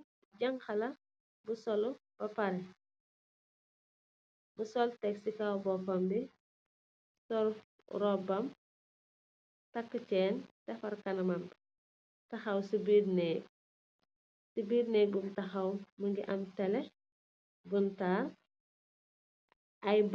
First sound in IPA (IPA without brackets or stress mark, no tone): ɟ